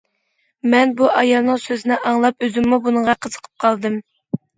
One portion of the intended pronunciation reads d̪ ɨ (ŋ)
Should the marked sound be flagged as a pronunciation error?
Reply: yes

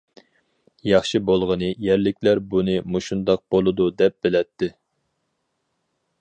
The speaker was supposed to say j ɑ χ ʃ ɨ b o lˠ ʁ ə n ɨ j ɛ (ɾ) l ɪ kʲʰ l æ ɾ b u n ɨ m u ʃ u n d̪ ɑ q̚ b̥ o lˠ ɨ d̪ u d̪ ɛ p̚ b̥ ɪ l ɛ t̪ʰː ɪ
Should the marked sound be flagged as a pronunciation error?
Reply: no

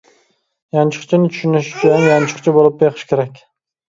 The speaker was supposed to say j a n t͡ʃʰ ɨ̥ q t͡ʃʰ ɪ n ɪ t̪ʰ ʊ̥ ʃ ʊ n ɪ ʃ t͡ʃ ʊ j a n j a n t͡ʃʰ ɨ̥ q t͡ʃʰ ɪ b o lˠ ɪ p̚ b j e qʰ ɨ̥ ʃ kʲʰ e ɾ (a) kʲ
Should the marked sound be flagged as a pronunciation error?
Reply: no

